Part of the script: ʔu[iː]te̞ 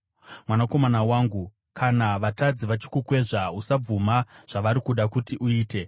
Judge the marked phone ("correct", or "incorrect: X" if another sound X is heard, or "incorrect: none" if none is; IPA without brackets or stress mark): correct